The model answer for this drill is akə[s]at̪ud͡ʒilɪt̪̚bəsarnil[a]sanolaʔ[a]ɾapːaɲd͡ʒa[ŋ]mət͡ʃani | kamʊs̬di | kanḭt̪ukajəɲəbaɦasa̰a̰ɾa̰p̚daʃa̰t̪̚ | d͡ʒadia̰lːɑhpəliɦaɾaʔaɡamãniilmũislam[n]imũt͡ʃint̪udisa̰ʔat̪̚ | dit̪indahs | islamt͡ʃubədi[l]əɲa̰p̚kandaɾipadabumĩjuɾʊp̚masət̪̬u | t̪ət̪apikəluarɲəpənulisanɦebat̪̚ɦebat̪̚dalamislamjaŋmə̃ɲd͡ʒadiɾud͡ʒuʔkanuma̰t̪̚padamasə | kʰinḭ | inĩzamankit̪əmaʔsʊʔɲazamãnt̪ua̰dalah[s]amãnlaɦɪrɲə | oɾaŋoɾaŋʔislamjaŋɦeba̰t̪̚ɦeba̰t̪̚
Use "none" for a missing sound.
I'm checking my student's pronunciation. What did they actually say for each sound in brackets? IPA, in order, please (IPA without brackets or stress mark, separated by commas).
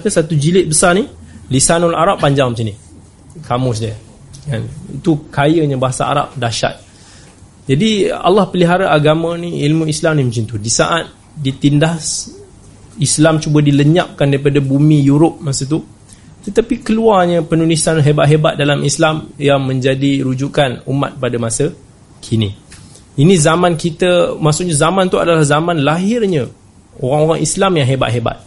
s, i, a, ŋ, n, l, z